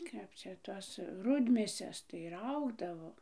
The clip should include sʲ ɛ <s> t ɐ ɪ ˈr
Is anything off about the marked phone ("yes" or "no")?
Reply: no